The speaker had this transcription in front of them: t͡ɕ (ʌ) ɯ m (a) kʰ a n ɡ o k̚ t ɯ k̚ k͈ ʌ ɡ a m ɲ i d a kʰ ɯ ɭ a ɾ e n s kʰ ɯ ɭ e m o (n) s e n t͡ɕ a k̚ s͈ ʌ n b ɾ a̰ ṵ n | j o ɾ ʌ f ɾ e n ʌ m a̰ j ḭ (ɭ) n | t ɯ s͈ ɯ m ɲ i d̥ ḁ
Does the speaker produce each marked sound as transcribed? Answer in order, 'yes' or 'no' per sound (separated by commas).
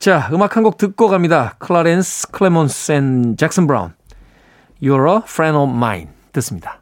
no, yes, yes, no